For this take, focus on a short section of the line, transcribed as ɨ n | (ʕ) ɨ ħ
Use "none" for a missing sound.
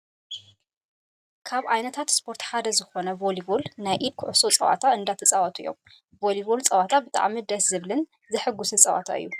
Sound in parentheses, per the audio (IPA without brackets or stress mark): z